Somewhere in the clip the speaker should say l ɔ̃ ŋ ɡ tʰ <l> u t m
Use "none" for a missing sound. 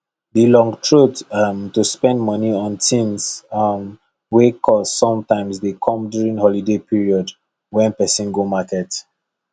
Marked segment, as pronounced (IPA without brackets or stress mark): ɹ